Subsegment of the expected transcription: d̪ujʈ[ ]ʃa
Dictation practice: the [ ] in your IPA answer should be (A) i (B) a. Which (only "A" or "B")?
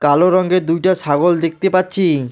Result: B